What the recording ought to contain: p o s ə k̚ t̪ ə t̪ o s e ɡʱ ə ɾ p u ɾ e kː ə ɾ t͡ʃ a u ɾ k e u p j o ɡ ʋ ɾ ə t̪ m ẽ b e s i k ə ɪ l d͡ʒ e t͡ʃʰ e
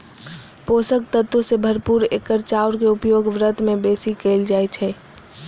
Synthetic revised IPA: p o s ə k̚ t̪ ə t̪ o s e bʱ ə ɾ p u ɾ e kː ə ɾ t͡ʃ a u ɾ k e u p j o ɡ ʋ ɾ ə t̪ m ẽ b e s i k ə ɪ l d͡ʒ a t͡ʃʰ ɛ